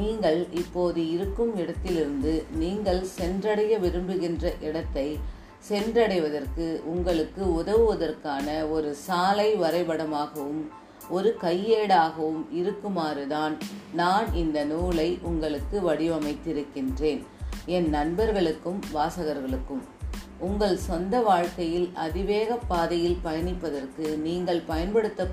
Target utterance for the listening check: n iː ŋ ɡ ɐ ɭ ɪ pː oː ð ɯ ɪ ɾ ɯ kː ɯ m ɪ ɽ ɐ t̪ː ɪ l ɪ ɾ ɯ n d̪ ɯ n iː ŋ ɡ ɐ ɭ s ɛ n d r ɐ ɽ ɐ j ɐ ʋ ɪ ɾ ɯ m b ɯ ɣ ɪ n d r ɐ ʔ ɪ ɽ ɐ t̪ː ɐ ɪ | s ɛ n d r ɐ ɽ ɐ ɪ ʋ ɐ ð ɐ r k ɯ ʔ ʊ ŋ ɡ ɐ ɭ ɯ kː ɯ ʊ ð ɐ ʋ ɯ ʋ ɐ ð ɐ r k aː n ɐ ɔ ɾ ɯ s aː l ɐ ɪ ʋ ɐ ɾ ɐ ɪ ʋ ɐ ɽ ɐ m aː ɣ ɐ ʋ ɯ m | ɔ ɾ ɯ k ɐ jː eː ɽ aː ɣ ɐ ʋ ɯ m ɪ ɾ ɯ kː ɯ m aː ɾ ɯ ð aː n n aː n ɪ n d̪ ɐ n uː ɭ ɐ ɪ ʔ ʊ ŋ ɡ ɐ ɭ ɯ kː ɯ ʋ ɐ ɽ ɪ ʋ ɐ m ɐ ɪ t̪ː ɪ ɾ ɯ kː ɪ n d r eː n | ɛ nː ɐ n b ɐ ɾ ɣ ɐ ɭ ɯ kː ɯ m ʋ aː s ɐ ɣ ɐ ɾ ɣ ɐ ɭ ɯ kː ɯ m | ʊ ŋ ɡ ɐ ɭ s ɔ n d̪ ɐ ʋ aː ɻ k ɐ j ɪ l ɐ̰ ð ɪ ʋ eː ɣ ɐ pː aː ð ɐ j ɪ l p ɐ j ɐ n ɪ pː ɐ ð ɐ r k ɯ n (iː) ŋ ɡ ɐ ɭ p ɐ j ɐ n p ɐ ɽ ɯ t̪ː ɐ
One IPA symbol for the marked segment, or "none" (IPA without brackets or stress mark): iː